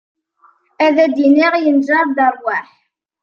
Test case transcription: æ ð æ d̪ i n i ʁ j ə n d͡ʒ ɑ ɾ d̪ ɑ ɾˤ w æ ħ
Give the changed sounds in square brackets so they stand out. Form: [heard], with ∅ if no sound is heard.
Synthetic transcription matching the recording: æ ð æ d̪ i n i ʁ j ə n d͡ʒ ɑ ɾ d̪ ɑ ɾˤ w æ ħ